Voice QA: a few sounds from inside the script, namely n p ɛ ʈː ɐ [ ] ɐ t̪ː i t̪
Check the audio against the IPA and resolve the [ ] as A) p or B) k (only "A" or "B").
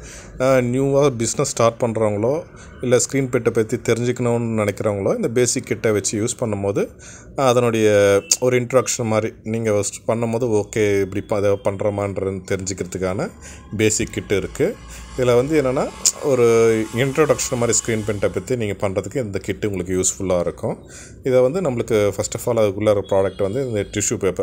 A